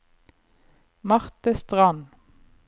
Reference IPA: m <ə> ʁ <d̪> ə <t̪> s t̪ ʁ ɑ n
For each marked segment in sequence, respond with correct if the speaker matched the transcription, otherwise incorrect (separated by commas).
incorrect, incorrect, incorrect